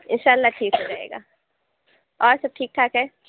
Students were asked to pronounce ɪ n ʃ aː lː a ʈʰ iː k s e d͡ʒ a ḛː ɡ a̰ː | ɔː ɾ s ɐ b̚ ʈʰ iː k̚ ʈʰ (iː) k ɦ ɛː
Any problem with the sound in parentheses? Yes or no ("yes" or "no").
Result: yes